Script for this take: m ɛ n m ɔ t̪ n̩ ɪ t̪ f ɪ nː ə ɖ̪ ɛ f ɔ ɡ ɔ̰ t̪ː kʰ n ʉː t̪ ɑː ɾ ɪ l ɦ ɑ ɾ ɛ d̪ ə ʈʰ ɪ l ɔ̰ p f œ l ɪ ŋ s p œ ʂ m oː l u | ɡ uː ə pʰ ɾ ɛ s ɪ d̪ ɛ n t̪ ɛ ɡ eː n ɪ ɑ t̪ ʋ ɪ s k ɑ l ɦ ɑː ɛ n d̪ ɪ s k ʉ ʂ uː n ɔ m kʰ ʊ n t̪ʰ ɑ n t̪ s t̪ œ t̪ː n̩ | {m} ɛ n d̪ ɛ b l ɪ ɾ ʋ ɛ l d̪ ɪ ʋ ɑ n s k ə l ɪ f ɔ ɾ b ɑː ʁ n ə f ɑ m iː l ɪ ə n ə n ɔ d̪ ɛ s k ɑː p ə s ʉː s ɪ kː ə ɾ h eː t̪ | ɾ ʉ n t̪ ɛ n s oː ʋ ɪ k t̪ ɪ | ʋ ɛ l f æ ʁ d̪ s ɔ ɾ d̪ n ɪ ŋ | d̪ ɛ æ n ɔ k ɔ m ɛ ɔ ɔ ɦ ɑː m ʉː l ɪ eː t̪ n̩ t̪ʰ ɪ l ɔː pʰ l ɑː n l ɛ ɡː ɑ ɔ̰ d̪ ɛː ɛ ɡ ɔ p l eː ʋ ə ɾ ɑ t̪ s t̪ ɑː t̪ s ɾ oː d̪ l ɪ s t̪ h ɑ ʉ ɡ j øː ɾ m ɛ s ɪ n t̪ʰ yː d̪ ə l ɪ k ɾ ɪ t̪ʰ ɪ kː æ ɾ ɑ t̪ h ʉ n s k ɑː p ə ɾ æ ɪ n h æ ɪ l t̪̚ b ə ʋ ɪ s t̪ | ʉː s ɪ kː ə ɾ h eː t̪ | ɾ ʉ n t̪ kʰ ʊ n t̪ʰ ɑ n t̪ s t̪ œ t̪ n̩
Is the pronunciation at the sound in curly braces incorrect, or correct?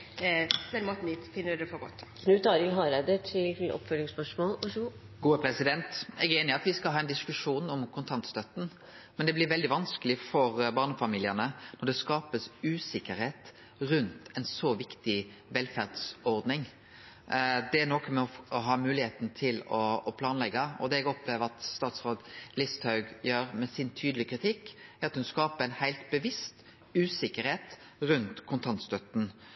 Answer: correct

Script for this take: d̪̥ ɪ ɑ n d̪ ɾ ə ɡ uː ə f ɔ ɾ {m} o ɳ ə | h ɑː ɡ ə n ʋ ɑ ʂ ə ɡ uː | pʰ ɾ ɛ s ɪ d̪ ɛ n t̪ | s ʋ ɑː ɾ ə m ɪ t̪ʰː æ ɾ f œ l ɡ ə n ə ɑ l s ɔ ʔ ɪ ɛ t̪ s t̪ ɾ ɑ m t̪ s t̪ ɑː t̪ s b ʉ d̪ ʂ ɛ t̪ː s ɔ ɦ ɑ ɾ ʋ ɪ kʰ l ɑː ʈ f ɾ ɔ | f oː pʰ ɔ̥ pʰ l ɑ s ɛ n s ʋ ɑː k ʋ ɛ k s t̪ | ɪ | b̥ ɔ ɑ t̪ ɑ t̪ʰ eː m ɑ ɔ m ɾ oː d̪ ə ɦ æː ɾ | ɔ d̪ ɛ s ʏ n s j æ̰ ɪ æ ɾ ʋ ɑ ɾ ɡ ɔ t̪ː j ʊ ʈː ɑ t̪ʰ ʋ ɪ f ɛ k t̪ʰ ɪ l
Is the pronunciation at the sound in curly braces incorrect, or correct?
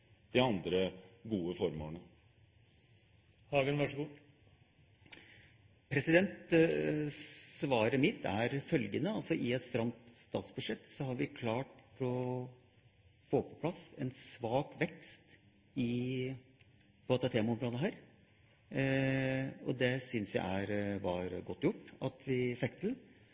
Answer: correct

